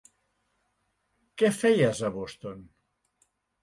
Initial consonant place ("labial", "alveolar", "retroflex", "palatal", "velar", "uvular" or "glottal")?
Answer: velar